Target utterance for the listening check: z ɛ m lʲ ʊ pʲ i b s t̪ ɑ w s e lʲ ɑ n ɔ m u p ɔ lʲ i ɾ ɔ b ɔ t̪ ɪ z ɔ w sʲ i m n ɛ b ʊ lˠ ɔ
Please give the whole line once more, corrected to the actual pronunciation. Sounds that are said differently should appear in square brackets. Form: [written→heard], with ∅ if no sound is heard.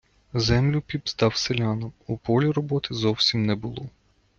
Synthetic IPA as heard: z ɛ m lʲ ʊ pʲ i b s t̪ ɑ w s e lʲ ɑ n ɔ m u p ɔ lʲ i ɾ ɔ b ɔ t̪ ɪ z ɔ w sʲ i m n ɛ b ʊ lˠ ɔ